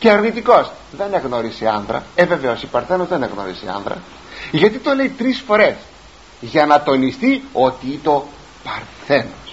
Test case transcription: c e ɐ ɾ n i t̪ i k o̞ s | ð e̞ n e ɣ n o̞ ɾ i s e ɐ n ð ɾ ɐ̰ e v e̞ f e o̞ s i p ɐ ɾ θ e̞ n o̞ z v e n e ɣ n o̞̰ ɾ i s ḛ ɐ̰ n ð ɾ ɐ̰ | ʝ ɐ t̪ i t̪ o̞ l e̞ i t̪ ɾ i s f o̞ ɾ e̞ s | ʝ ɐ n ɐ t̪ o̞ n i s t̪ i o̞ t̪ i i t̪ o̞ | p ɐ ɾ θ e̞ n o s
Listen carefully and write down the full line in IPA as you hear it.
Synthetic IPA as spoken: c e ɐ ɾ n i t̪ i k o̞ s | ð e̞ n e ɣ n o̞ ɾ i s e ɐ n ð ɾ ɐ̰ e v e̞ v e o̞ s i p ɐ ɾ θ e̞ n o̞ z ð e n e ɣ n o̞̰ ɾ i s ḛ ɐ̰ n ð ɾ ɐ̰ | ʝ ɐ t̪ i t̪ o̞ l e̞ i t̪ ɾ i s f o̞ ɾ e̞ s | ʝ ɐ n ɐ t̪ o̞ n i s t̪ i o̞ t̪ i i t̪ o̞ | p ɐ ɾ θ e̞ n o s